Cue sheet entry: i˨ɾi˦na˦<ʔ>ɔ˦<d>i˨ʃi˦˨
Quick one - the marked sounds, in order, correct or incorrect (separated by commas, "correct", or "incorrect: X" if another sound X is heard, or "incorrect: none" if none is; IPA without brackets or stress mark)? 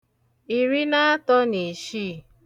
incorrect: t, incorrect: n